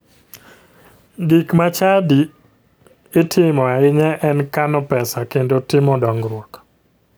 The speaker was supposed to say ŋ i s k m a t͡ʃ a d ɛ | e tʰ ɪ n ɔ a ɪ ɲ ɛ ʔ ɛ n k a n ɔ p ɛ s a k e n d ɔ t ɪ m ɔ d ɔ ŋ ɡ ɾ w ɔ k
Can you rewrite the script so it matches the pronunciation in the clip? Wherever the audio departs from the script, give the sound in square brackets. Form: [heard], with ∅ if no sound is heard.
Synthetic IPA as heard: [ɡ] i [∅] k m a t͡ʃ a d [i] | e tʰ ɪ [m] ɔ a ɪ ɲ ɛ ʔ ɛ n k a n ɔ p ɛ s a k e n d [o] t ɪ m ɔ d ɔ ŋ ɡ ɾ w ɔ k